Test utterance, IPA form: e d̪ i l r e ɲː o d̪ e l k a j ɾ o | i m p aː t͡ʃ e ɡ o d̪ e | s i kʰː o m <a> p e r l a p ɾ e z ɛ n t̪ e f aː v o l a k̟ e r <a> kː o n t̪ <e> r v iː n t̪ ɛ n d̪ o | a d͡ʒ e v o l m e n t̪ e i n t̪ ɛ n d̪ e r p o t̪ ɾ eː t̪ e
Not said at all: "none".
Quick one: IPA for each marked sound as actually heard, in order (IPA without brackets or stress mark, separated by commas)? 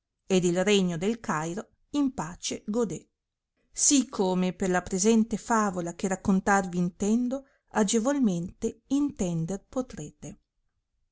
e, a, a